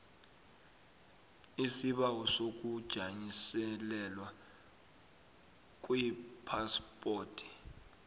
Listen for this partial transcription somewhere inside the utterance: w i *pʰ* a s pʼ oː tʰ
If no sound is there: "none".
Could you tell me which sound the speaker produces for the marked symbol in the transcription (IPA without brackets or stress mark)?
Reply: pʰ